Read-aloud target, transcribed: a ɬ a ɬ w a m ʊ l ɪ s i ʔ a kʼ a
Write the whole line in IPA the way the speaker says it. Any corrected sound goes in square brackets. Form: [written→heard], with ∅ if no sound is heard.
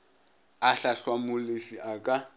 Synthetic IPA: a ɬ a ɬ w a m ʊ l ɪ [s→f] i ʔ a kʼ a